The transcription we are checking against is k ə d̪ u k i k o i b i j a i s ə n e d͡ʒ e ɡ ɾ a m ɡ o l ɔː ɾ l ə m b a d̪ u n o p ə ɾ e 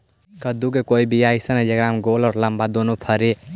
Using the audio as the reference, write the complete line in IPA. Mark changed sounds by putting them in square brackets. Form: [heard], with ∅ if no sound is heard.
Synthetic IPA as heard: k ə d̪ u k [e] k o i b i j a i s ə n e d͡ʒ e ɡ ɾ a m ɡ o l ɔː ɾ l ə m b a d̪ [o] n o [pʰ] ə ɾ e